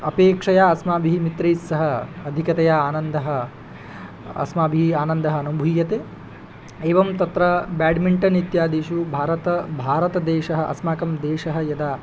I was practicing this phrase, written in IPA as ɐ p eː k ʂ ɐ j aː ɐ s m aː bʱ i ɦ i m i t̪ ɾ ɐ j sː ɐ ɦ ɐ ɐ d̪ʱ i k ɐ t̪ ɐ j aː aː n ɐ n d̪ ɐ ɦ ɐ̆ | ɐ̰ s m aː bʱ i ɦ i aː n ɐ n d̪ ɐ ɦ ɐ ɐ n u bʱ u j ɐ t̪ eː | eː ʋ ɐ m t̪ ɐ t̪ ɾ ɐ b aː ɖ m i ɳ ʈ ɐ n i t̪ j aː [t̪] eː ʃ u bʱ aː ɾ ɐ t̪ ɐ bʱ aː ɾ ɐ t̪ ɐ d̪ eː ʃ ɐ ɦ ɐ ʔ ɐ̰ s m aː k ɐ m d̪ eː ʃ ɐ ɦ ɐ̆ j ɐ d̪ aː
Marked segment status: incorrect: d̪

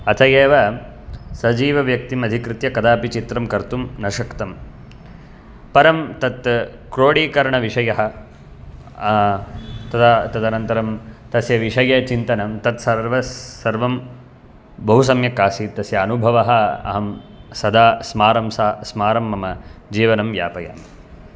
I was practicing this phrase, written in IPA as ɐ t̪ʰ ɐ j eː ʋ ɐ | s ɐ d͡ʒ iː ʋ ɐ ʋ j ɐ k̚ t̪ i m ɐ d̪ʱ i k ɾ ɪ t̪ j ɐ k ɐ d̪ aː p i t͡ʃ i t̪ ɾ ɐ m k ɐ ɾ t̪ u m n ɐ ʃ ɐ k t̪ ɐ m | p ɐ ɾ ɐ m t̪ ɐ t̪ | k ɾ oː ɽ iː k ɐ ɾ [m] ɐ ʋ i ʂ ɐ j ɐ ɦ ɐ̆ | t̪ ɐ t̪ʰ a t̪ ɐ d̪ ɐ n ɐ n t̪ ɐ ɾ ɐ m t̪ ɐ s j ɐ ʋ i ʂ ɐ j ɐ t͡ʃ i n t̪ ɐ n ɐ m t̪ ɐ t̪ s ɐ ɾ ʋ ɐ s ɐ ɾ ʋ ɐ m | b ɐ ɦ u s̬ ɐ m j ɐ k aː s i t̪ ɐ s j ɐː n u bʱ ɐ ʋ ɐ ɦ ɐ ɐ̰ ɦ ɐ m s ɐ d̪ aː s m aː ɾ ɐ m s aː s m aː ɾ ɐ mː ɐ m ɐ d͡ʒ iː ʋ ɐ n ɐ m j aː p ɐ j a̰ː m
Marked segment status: incorrect: ɳ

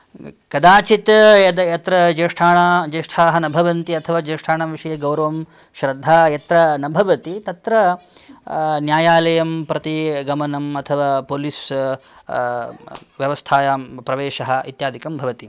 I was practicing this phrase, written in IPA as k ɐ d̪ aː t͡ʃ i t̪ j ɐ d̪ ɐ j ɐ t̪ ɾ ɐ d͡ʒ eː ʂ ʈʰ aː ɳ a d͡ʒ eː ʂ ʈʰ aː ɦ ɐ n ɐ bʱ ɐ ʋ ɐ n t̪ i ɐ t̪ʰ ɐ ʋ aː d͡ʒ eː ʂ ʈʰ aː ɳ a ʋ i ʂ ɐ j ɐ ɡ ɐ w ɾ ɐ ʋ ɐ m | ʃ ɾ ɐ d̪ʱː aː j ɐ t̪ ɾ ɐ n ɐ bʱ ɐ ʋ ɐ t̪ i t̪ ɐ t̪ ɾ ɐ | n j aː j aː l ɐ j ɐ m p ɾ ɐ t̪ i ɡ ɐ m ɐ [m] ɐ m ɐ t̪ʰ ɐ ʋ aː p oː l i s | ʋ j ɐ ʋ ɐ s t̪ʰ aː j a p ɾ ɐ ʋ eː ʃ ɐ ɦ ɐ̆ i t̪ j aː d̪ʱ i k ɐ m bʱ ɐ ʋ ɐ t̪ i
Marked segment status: incorrect: n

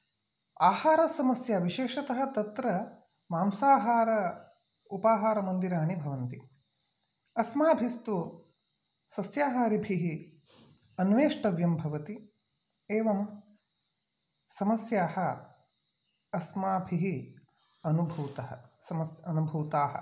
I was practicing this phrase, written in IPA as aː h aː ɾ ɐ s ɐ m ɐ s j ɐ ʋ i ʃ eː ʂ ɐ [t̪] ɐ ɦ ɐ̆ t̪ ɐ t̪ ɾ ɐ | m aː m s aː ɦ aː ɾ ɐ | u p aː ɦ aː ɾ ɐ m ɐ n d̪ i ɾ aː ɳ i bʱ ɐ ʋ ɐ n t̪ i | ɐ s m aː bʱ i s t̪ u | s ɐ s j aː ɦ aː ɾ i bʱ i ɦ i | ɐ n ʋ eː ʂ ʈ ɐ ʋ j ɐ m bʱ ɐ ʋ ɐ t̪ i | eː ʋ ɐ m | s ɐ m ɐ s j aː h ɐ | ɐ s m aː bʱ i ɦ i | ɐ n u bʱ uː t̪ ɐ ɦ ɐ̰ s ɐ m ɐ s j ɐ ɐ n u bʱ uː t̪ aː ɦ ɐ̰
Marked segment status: correct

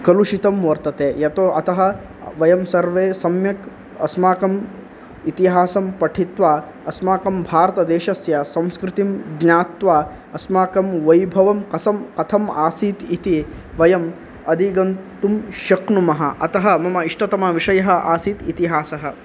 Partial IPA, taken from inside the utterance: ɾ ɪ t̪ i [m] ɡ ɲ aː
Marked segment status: correct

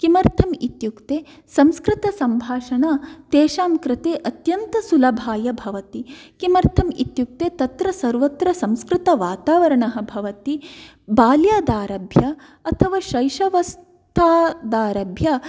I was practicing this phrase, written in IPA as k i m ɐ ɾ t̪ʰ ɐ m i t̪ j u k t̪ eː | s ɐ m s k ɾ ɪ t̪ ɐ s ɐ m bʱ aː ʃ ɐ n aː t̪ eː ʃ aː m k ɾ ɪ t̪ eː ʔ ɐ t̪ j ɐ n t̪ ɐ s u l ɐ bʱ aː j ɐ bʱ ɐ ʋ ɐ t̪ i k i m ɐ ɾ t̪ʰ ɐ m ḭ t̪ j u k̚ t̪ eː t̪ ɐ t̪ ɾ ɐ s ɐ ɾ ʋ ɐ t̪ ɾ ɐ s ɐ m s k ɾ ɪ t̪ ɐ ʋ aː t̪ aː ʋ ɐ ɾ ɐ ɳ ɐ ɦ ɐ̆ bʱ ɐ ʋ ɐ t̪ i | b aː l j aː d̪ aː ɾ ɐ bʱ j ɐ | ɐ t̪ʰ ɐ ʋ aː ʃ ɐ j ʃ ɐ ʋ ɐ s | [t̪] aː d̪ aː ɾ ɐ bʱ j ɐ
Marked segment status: incorrect: t̪ʰ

